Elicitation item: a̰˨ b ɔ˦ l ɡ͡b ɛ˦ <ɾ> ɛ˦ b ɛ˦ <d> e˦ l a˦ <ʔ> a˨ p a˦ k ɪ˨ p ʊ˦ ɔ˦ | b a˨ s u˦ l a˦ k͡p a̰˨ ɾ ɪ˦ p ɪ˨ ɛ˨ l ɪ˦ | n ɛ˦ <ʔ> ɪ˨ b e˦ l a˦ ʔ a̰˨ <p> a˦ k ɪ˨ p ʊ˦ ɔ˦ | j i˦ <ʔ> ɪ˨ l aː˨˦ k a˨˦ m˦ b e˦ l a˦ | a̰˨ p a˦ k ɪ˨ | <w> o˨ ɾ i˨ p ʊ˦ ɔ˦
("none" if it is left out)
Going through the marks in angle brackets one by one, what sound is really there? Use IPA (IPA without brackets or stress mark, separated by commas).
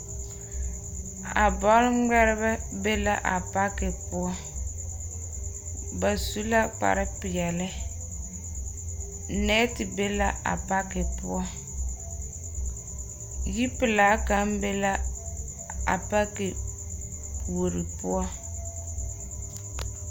ɾ, b, ʔ, t, p, p, w